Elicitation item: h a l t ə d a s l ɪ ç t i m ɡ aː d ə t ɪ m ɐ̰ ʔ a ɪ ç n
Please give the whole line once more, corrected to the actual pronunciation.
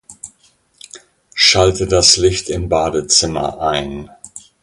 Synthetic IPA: ʃ a l t ə d a s l ɪ ç t ɪ m b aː d ə t͡s ɪ m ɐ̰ ʔ a ɪ n